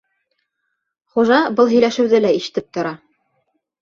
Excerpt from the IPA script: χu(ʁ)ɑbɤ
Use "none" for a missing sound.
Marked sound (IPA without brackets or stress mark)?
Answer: ʒ